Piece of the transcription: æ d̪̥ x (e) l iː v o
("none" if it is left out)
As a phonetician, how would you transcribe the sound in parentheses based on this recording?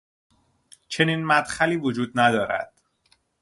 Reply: æ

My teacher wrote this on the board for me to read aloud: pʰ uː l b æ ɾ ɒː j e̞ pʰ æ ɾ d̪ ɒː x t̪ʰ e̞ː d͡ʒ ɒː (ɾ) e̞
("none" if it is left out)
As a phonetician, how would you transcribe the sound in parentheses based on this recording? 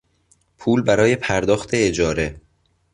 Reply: ɾ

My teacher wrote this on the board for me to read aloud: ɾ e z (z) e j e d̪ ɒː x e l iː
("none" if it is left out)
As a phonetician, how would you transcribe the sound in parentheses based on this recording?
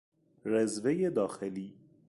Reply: v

